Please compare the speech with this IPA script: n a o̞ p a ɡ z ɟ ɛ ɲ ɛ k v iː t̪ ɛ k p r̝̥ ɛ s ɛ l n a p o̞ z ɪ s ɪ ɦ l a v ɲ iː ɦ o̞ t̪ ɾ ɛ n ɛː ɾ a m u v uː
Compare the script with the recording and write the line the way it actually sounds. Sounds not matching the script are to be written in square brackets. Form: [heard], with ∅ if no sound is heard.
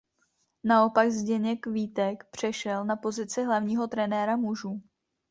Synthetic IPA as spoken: n a o̞ p a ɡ z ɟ ɛ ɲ ɛ k v iː t̪ ɛ k p r̝̥ ɛ [ʃ] ɛ l n a p o̞ z ɪ [t͡s] ɪ ɦ l a v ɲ iː ɦ o̞ t̪ ɾ ɛ n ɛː ɾ a m u [ʒ] uː

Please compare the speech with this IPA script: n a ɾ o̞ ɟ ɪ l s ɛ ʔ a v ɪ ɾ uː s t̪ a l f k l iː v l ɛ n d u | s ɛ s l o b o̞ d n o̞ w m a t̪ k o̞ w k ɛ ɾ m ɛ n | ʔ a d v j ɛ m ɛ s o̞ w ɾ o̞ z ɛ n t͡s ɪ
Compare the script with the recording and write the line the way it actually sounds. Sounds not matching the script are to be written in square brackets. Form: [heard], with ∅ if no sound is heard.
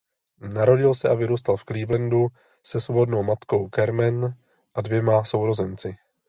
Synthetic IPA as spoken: n a ɾ o̞ ɟ ɪ l s ɛ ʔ a v ɪ ɾ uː s t̪ a l f k l iː v l ɛ n d u | s ɛ s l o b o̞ d n o̞ w m a t̪ k o̞ w k ɛ ɾ m ɛ n | ʔ a d v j ɛ m [a] s o̞ w ɾ o̞ z ɛ n t͡s ɪ

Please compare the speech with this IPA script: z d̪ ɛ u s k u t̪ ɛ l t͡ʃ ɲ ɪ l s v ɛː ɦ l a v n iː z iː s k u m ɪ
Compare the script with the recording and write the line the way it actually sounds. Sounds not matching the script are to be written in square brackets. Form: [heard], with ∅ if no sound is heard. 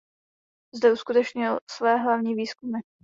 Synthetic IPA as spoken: z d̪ ɛ u s k u t̪ ɛ [∅] t͡ʃ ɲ ɪ l s v ɛː ɦ l a v [ɲ] iː [v] iː s k u m ɪ

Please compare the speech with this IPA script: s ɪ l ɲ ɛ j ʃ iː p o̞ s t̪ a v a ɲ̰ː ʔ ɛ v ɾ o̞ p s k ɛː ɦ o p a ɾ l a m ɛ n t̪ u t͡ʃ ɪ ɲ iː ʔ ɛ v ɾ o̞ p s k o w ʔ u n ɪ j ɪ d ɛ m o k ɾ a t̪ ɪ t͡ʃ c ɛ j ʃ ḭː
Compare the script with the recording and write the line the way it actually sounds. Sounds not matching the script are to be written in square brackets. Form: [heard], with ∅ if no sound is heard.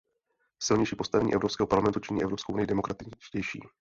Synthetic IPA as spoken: s ɪ l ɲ ɛ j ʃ iː p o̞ s t̪ a v [ɛ] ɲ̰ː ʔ ɛ v ɾ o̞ p s k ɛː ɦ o p a ɾ l a m ɛ n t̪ u t͡ʃ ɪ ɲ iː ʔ ɛ v ɾ o̞ p s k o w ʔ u n ɪ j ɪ d ɛ m o k ɾ a t̪ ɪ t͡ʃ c ɛ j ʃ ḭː

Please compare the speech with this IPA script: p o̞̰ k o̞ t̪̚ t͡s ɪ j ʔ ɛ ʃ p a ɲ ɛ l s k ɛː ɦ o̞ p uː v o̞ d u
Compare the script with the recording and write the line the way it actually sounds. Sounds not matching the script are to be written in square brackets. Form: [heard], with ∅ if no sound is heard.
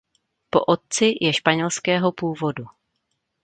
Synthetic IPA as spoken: p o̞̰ [ʔ] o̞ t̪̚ t͡s ɪ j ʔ ɛ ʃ p a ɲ ɛ l s k ɛː ɦ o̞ p uː v o̞ d u

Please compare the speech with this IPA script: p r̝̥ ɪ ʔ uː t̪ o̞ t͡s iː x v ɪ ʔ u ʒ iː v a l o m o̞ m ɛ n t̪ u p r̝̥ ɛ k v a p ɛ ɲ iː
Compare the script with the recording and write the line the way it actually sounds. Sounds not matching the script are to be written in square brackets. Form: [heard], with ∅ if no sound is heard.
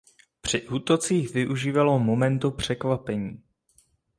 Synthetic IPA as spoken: p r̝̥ ɪ ʔ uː t̪ o̞ t͡s iː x v ɪ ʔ u ʒ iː v a l o m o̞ m ɛ n t̪ u p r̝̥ ɛ k v a p ɛ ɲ iː

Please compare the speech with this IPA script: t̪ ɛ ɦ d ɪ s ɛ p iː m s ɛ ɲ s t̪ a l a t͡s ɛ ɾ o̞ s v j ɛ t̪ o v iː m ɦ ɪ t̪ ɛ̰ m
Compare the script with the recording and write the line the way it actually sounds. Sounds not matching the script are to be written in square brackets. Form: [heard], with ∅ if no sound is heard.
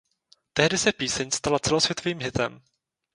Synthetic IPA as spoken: t̪ ɛ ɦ d ɪ s ɛ p iː [∅] s ɛ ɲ s t̪ a l a t͡s ɛ [l] o̞ s v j ɛ t̪ o v iː m ɦ ɪ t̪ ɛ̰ m

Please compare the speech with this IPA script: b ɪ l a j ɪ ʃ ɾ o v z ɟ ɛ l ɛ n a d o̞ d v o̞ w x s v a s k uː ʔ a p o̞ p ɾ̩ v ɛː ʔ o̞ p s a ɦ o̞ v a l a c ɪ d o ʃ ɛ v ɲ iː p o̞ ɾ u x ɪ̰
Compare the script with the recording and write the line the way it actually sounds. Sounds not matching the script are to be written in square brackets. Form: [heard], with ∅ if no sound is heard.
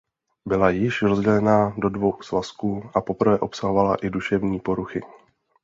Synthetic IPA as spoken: b ɪ l a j ɪ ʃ ɾ o [∅] z ɟ ɛ l ɛ n a d o̞ d v o̞ w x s v a s k uː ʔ a p o̞ p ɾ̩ v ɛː ʔ o̞ p s a ɦ o̞ v a l a [ʔ] ɪ d [u] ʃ ɛ v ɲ iː p o̞ ɾ u x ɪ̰

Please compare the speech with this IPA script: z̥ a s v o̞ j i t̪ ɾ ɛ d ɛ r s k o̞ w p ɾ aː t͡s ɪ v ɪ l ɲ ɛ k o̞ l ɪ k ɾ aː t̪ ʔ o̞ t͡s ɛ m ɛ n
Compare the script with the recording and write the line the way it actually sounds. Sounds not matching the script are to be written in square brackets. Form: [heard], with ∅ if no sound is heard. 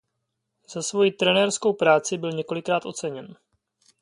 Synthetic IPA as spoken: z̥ a s v o̞ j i t̪ ɾ ɛ [n] ɛ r s k o̞ w p ɾ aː t͡s ɪ [b] ɪ l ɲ ɛ k o̞ l ɪ k ɾ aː t̪ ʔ o̞ t͡s ɛ [ɲ] ɛ n

